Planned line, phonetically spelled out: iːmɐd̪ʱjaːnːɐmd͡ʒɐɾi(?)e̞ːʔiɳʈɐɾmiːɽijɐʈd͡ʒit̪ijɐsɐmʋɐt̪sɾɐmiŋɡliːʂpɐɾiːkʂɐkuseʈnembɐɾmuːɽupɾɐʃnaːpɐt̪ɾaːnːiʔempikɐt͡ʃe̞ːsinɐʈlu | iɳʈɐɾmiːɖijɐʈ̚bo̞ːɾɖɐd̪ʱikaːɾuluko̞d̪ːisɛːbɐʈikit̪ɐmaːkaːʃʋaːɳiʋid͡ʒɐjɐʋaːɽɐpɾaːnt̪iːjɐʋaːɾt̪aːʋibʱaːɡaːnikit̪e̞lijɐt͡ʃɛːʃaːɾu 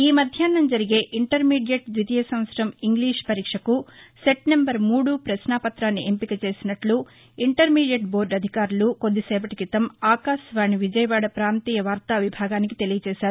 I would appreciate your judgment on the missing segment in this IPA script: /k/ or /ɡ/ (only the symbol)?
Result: ɡ